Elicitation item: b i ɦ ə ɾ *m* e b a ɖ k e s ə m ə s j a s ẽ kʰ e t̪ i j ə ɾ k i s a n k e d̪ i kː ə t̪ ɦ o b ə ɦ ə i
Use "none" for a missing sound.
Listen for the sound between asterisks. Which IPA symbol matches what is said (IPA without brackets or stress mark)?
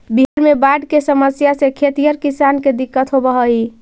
m